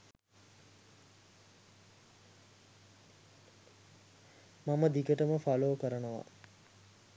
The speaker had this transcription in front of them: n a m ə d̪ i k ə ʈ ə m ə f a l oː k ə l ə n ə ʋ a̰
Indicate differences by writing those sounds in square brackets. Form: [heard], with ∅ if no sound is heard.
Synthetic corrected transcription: [m] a m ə d̪ i k ə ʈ ə m ə f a l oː k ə [ɾ] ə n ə ʋ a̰